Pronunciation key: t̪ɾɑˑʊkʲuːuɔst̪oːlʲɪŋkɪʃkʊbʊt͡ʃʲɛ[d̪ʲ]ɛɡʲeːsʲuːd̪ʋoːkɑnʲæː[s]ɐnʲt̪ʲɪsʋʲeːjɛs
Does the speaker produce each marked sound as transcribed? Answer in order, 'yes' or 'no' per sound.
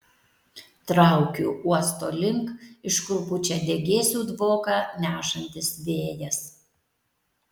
yes, no

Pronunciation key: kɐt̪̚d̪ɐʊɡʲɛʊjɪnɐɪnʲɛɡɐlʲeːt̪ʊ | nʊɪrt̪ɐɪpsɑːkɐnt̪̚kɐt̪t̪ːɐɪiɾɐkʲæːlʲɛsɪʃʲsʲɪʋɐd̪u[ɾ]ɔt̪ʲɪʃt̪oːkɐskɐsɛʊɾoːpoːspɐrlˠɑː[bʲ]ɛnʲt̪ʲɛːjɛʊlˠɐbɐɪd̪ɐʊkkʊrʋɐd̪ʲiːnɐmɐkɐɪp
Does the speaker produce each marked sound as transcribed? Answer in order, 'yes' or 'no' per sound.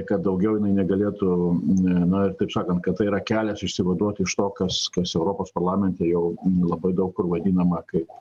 no, no

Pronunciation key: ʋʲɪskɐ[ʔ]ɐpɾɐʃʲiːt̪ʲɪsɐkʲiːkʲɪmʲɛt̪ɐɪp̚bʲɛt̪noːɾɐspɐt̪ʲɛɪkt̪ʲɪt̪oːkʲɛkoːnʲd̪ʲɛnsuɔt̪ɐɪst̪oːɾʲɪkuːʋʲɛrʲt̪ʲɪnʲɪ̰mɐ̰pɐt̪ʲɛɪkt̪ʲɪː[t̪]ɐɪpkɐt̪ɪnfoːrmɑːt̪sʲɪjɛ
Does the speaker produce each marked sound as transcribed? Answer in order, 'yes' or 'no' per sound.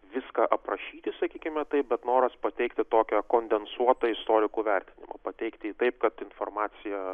yes, yes

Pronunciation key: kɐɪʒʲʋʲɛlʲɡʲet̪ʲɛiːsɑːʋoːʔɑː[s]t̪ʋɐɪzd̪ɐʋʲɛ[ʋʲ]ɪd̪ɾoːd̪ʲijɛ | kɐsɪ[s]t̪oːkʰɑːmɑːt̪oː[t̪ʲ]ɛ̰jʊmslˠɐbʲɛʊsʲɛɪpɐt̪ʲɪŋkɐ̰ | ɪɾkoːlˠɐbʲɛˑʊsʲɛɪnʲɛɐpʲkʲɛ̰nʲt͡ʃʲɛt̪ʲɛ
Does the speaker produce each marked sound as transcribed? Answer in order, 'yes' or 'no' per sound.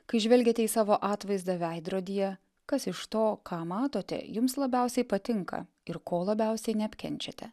no, no, no, yes

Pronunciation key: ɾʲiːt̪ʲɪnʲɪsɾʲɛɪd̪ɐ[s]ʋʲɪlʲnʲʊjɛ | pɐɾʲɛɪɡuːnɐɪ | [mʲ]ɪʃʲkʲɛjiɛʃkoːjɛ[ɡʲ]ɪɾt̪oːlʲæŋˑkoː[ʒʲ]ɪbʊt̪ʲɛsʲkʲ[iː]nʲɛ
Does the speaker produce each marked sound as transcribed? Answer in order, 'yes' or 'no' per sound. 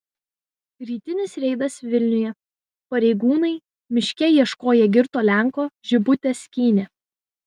yes, yes, yes, yes, yes

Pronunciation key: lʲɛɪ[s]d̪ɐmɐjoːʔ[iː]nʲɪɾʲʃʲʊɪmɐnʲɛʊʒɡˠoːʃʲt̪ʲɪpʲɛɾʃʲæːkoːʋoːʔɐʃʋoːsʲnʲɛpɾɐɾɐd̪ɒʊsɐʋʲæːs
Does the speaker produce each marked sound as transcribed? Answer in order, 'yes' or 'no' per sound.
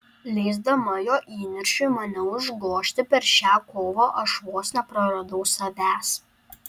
no, yes

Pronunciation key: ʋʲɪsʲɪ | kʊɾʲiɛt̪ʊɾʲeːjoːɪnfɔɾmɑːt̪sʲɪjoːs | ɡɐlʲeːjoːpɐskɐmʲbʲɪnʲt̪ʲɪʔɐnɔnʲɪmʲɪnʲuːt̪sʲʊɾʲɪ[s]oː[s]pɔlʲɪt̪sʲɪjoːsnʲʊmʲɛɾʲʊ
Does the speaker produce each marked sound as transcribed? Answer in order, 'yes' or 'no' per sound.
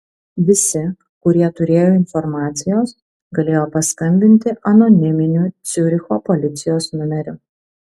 no, no

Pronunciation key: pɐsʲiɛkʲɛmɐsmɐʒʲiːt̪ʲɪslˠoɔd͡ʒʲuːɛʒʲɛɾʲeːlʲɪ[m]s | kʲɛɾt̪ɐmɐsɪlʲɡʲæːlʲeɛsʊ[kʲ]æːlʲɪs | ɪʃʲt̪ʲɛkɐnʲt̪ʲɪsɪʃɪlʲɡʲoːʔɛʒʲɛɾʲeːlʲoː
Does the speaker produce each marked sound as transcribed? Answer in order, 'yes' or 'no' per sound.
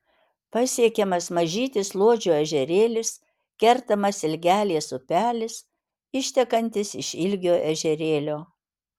no, no

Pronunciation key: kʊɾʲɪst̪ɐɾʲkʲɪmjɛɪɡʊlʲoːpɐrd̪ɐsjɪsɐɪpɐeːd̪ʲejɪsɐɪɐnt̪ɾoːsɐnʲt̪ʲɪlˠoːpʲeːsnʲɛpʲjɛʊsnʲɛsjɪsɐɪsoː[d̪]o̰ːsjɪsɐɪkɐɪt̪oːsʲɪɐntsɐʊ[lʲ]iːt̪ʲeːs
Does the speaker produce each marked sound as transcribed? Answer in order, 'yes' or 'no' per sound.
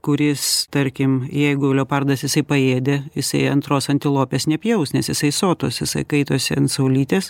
no, yes

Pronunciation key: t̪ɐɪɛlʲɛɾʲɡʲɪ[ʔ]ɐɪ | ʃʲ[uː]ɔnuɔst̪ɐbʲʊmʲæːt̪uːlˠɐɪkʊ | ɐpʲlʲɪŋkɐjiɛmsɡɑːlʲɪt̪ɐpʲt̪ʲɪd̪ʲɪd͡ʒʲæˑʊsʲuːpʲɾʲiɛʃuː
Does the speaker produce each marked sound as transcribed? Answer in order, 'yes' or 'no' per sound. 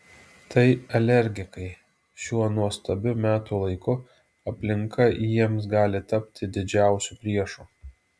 no, no

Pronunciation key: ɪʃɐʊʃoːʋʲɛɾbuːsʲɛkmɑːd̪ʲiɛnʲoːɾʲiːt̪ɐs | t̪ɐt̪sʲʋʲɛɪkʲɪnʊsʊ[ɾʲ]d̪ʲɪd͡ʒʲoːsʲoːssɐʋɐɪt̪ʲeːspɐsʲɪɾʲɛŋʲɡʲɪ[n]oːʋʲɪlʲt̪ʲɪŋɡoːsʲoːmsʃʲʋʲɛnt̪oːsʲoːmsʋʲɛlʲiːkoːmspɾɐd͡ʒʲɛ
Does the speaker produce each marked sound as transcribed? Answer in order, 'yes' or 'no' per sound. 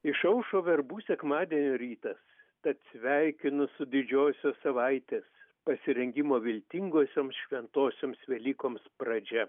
no, no

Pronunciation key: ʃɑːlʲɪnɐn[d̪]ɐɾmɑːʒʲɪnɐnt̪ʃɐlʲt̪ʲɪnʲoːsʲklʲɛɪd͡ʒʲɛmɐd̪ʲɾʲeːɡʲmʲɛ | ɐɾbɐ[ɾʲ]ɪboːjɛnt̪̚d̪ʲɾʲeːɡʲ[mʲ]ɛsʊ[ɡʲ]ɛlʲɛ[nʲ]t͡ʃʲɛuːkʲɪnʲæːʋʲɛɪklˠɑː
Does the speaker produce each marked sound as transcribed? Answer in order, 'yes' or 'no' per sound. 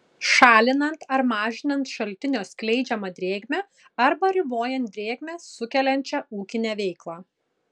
no, yes, yes, no, yes

